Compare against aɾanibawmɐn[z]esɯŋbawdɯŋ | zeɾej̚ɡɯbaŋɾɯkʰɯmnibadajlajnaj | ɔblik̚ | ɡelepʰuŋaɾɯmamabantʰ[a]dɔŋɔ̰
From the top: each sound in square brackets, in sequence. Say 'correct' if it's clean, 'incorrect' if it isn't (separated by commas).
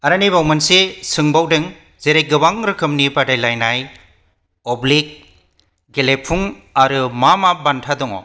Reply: incorrect, correct